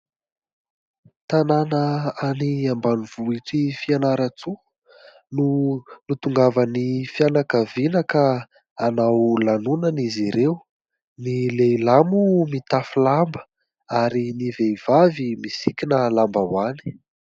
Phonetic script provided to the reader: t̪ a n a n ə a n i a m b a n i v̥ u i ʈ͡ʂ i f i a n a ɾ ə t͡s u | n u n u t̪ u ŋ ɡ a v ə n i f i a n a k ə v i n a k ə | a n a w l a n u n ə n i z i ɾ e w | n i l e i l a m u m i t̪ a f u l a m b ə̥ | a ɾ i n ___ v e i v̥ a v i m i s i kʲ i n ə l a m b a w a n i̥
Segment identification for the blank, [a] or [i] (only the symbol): i